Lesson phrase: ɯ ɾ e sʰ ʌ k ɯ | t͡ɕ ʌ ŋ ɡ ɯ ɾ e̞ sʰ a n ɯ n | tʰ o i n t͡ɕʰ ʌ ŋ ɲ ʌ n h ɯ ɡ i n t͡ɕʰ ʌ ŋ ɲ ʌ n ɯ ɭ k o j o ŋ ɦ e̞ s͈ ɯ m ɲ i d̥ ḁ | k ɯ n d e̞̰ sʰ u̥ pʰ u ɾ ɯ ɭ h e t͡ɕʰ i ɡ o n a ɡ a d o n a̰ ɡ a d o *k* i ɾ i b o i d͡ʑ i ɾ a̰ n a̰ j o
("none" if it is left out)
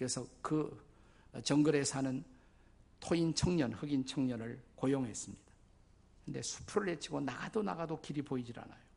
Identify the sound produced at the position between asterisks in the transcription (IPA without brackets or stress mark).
k